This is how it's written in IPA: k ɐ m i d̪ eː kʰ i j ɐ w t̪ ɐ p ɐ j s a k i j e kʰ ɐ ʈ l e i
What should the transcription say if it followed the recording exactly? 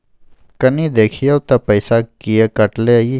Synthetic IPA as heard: k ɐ n i d̪ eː kʰ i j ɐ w t̪ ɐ p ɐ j s a k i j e k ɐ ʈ l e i